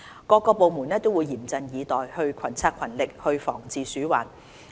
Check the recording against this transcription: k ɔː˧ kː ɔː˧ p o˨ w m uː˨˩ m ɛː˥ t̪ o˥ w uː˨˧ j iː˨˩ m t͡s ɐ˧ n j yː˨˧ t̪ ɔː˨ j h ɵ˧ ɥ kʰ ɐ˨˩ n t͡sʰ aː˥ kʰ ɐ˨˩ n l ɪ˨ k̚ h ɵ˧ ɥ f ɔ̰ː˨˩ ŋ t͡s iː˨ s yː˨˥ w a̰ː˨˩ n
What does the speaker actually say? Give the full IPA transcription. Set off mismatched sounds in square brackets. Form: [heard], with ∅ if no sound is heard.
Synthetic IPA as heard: k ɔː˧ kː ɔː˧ p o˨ w m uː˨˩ [n] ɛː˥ t̪ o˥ w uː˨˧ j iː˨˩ m t͡s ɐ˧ n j [iː˨˧] t̪ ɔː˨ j h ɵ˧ ɥ kʰ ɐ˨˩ n t͡sʰ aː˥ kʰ ɐ˨˩ n l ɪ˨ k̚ h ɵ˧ ɥ f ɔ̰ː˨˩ ŋ t͡s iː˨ s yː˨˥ w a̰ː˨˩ n